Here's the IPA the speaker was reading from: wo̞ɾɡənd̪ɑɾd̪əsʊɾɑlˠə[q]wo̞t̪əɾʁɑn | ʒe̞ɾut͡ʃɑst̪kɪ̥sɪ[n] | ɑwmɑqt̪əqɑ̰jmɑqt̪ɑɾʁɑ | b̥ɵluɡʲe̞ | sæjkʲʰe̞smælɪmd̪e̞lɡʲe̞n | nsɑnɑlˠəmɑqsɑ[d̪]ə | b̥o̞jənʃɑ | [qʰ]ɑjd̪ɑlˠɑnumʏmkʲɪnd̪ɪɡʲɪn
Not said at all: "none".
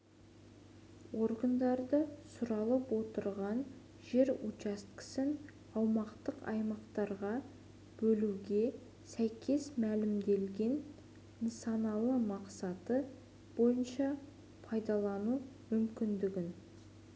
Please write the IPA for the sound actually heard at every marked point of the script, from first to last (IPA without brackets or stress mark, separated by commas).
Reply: p, n, t̪, pʰ